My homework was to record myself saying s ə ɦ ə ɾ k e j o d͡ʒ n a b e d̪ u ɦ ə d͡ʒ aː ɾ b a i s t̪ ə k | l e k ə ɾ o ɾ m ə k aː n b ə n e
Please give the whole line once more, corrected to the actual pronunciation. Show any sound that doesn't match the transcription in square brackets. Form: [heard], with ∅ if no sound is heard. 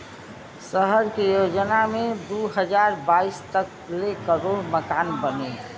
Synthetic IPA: s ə ɦ ə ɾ k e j o d͡ʒ n a [m] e d̪ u ɦ ə d͡ʒ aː ɾ b a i s t̪ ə k | l e k ə ɾ o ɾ m ə k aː n b ə n e

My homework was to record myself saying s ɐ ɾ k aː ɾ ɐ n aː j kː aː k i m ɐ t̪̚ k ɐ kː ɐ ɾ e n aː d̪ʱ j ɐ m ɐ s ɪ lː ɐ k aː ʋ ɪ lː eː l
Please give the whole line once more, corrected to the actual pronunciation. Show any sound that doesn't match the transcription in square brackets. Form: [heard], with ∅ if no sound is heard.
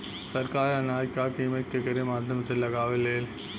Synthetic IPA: s ɐ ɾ k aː ɾ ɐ n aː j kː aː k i m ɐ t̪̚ k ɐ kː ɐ ɾ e [m] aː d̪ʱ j ɐ m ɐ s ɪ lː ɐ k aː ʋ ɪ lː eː l

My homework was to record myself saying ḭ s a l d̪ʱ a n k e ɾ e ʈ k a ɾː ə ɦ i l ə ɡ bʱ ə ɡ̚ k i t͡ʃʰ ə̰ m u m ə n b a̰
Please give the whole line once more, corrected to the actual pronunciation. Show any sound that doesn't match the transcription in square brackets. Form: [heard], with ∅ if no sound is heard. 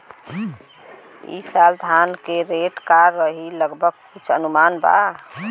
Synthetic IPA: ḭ s a l d̪ʱ a n k e ɾ e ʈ k a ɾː ə ɦ i l ə ɡ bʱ ə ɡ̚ k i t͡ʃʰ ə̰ [n] u m [a] n b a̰

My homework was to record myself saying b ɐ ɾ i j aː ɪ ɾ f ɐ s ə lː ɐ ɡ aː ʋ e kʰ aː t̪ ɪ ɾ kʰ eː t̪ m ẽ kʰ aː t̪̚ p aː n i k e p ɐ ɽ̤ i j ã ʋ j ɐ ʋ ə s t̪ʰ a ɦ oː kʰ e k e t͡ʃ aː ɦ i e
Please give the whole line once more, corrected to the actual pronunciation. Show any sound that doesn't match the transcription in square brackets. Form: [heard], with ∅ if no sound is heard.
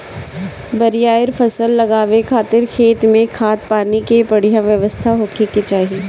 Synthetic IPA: b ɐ ɾ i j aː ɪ ɾ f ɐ s ə lː ɐ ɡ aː ʋ e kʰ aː t̪ ɪ ɾ kʰ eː t̪ m ẽ kʰ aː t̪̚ p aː n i k e p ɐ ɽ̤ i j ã ʋ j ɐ ʋ ə s t̪ʰ a ɦ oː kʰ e k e t͡ʃ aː ɦ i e

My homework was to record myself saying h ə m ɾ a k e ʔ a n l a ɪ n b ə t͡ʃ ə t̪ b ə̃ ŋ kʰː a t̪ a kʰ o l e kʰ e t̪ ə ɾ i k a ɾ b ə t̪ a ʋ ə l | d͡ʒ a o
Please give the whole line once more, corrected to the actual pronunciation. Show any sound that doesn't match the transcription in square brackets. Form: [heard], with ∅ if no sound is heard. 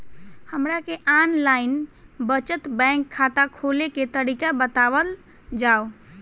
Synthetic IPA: h ə m ɾ a k e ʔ a n l a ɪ n b ə t͡ʃ ə t̪ b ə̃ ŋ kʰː a t̪ a kʰ o l e [k] e t̪ ə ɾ i k a [∅] b ə t̪ a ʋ ə l | d͡ʒ a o

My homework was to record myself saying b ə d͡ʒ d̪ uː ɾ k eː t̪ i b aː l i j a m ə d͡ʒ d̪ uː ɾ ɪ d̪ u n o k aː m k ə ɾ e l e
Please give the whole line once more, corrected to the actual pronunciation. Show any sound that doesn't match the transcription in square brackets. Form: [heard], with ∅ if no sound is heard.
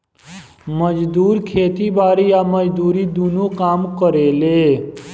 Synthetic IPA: [m] ə d͡ʒ d̪ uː ɾ [kʰ] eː t̪ i b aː [ɾ] i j a m ə d͡ʒ d̪ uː ɾ [i] d̪ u n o k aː m k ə ɾ e l e

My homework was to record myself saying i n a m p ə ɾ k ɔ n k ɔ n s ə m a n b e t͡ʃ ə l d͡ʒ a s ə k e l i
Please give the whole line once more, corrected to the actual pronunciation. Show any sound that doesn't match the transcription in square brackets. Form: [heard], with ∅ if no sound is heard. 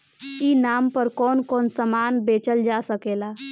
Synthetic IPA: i n a m p ə ɾ k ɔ n k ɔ n s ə m a n b e t͡ʃ ə l d͡ʒ a s ə k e l [a]

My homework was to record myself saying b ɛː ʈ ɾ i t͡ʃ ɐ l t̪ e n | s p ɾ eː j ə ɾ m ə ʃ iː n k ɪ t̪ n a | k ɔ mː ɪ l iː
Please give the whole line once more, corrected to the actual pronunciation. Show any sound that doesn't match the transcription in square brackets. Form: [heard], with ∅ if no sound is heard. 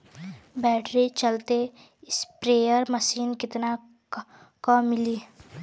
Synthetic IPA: b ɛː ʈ ɾ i t͡ʃ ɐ l t̪ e [∅] | s p ɾ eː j ə ɾ m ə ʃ iː n k ɪ t̪ n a | k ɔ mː ɪ l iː

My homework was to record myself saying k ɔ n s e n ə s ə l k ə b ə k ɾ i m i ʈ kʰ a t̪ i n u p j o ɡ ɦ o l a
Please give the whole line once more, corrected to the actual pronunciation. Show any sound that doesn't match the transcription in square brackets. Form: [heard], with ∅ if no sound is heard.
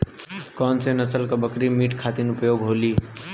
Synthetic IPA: k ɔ n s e n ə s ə l k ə b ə k ɾ i m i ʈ kʰ a t̪ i n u p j o ɡ ɦ o l [i]

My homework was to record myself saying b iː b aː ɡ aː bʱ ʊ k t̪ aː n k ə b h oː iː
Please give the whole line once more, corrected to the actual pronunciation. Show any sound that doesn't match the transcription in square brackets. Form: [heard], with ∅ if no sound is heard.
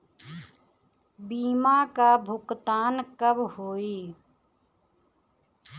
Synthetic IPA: b iː [m] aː [k] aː bʱ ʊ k t̪ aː n k ə b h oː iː

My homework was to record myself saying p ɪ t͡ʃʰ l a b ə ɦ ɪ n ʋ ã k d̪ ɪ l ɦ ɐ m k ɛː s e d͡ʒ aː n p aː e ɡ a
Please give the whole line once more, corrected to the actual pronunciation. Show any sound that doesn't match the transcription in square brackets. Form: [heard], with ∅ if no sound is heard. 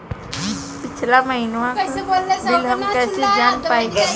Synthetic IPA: p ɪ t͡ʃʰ l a [m] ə ɦ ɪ n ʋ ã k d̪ ɪ l ɦ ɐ m k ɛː s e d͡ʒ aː n p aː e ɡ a

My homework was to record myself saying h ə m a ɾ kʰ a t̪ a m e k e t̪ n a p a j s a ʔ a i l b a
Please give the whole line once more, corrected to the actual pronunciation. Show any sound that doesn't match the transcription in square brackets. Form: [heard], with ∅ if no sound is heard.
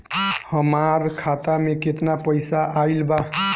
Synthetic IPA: h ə m a ɾ kʰ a t̪ a m e k e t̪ n a p [ə] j s a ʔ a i l b a

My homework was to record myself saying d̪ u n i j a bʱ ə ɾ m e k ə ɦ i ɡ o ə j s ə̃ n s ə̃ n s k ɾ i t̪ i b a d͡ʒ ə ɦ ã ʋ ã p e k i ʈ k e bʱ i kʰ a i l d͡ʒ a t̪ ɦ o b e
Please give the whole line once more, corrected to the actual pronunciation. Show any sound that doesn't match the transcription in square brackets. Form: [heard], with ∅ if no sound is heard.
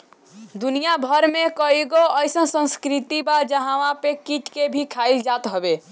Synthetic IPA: d̪ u n i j a bʱ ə ɾ m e k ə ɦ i ɡ o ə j s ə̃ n s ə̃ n s k ɾ i t̪ i b a d͡ʒ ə ɦ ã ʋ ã p e k i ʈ k e bʱ i kʰ a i l d͡ʒ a t̪ ɦ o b e

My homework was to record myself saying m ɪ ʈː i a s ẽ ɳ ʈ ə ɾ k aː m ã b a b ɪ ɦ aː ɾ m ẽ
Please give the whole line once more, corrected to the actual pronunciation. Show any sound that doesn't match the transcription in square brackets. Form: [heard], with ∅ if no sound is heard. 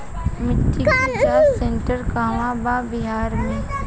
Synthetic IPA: m ɪ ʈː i a s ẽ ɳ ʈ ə ɾ k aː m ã b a b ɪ ɦ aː ɾ m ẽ

